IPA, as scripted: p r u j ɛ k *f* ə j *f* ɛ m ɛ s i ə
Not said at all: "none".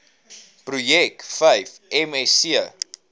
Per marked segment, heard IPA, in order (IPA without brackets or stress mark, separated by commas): f, f